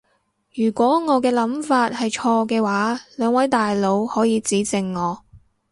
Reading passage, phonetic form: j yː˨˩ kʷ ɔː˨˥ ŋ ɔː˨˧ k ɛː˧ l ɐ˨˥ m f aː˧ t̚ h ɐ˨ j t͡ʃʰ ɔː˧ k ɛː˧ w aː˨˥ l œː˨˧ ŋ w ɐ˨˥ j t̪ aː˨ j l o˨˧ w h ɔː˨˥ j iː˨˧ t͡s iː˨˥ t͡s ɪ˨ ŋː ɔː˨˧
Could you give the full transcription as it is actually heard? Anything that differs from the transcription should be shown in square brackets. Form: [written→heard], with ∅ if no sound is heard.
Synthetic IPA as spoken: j yː˨˩ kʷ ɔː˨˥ ŋ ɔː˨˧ k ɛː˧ l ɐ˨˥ m f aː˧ t̚ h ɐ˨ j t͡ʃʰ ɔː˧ k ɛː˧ w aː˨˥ l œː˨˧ ŋ w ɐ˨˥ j t̪ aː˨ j l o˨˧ w h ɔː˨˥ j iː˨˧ t͡s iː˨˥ t͡s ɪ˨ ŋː ɔː˨˧